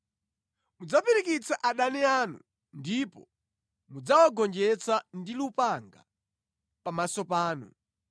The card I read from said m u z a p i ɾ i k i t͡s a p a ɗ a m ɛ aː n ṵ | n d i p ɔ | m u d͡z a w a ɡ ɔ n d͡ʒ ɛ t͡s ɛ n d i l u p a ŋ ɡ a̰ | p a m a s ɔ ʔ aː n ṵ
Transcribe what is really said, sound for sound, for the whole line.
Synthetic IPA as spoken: m u d͡z a p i ɾ i k i t͡s a ʔ a ɗ a n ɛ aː n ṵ | n d i p ɔ | m u d͡z a w a ɡ ɔ n d͡ʒ ɛ t͡s a n d i l u p a ŋ ɡ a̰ | p a m a s ɔ p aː n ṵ